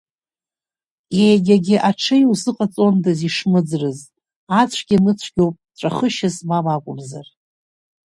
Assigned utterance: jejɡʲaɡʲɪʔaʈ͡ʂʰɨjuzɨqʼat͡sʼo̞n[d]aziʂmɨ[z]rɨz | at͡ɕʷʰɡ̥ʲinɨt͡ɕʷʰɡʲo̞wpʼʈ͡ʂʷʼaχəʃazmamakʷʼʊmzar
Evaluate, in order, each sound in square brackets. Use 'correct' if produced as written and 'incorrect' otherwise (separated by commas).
correct, incorrect